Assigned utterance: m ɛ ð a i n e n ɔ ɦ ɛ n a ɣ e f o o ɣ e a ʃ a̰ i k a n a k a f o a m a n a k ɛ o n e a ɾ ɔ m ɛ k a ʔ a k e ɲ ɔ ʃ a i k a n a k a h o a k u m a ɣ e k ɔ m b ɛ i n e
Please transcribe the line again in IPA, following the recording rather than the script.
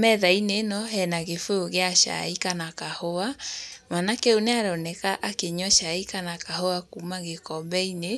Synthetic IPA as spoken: m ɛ ð a i n e n ɔ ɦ ɛ n a ɣ e f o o ɣ e a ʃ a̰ i k a n a k a h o a m a n a k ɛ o n e a ɾ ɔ n ɛ k a ʔ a k e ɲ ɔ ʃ a i k a n a k a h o a k u m a ɣ e k ɔ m b ɛ i n e